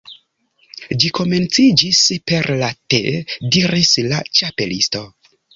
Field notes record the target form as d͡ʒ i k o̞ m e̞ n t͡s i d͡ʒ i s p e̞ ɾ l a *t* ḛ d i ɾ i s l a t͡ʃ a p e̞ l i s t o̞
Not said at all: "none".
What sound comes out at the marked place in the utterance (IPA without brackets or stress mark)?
t